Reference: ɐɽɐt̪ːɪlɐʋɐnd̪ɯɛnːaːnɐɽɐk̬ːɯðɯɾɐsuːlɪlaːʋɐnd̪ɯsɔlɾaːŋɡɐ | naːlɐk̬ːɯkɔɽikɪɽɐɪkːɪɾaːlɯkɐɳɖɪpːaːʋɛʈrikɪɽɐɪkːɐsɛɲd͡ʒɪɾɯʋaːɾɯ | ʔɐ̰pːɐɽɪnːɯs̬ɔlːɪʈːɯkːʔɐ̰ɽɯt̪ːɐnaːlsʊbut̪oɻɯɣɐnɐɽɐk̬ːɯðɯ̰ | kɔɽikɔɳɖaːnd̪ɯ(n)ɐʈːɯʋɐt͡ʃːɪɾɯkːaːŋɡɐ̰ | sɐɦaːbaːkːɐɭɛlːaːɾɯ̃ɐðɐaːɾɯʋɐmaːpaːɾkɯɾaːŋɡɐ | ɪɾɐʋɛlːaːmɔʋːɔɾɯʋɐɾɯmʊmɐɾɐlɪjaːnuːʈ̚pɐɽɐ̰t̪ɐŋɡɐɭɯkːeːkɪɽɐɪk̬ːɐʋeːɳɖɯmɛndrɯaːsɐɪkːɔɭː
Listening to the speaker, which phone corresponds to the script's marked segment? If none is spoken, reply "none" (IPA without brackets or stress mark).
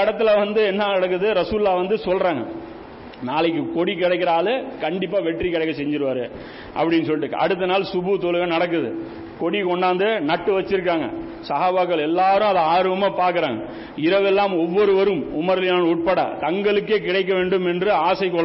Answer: n